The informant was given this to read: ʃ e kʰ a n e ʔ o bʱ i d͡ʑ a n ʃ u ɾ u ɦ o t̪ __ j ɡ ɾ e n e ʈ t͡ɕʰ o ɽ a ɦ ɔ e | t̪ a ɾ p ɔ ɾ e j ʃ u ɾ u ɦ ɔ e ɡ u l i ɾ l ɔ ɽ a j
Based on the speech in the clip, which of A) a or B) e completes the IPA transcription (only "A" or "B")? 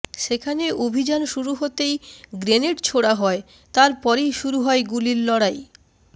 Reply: B